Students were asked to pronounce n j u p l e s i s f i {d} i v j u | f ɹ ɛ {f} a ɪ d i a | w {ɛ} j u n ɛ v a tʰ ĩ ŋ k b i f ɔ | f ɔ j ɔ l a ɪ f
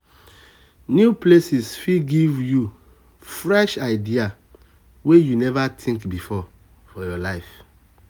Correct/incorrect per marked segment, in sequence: incorrect, incorrect, incorrect

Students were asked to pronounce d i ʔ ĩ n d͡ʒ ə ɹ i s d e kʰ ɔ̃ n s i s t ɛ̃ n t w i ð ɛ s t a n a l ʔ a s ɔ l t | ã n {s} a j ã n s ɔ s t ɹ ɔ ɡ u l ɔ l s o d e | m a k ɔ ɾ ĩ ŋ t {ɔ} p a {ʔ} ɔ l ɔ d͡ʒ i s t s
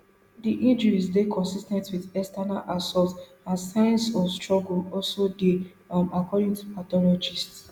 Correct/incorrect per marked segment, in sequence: correct, incorrect, incorrect

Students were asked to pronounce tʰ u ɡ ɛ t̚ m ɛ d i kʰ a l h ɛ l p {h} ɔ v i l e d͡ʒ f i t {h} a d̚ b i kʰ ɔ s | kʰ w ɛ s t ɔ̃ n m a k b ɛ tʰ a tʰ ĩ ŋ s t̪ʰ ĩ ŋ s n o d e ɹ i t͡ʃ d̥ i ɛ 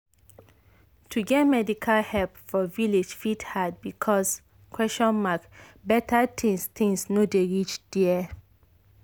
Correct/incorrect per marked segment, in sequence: incorrect, correct

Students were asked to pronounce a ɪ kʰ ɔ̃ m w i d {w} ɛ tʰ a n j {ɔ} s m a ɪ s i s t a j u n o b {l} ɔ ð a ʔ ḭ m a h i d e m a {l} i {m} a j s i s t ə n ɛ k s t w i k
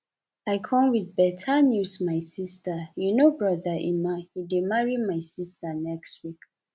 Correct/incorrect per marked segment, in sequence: incorrect, incorrect, incorrect, incorrect, correct

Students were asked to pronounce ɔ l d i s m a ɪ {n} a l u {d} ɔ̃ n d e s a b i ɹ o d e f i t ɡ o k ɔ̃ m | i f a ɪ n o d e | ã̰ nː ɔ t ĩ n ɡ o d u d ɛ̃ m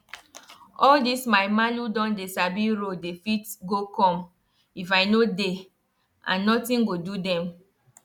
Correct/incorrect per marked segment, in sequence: incorrect, correct

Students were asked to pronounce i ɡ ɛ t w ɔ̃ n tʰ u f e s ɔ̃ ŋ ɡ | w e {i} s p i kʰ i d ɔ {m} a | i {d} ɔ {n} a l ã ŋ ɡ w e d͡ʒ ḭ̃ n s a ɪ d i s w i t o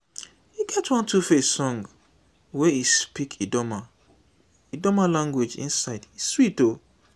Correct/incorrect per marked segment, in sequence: correct, correct, correct, incorrect

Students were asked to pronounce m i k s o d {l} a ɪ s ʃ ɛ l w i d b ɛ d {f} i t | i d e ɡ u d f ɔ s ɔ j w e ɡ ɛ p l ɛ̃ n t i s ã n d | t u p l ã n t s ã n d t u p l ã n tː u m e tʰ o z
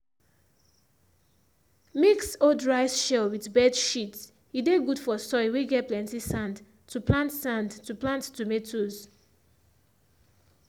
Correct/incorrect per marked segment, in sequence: incorrect, incorrect

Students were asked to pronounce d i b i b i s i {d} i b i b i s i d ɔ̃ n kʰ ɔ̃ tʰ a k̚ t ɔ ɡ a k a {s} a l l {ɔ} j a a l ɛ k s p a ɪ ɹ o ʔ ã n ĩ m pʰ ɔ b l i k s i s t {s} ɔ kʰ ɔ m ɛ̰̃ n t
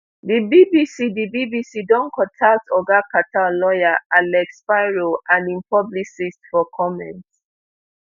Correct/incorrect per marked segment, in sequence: correct, incorrect, correct, incorrect

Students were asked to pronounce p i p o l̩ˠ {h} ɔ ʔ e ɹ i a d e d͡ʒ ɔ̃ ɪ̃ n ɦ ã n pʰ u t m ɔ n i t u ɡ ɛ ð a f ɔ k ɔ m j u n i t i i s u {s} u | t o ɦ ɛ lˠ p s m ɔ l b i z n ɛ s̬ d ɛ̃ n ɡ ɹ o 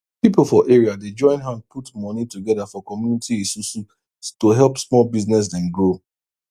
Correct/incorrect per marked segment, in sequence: incorrect, correct

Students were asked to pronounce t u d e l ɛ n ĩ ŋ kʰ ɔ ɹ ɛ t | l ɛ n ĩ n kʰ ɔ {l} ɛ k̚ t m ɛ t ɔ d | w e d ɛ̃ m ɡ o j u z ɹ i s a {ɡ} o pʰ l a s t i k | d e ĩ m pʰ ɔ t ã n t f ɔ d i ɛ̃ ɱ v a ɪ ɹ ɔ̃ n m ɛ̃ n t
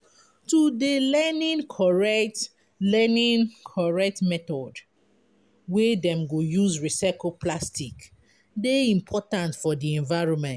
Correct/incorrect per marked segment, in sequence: incorrect, incorrect

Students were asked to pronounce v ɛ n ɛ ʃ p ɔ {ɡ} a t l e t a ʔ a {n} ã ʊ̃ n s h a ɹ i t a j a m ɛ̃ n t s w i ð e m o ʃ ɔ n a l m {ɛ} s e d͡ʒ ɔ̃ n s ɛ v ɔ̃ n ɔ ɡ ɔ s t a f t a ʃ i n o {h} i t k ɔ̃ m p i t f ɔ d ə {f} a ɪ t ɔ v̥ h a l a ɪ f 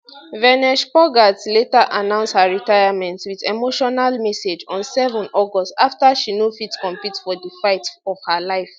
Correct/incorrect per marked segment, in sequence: correct, correct, correct, incorrect, correct

